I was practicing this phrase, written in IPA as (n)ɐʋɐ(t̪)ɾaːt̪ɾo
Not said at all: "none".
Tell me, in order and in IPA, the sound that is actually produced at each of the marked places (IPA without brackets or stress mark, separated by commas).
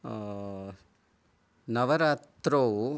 n, none